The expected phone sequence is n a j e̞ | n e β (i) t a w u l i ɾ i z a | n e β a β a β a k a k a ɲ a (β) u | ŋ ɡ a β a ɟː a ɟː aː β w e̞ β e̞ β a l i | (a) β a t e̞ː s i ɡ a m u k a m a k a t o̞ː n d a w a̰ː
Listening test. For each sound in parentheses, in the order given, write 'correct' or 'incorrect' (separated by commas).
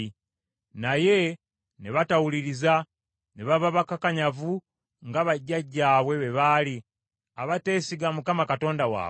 incorrect, incorrect, correct